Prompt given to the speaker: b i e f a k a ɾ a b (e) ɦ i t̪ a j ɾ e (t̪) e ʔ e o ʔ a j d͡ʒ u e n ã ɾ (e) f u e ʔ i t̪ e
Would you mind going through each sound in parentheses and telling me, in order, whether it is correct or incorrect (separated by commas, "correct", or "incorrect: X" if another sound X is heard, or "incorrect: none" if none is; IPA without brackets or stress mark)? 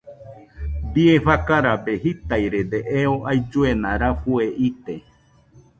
correct, incorrect: d̪, incorrect: a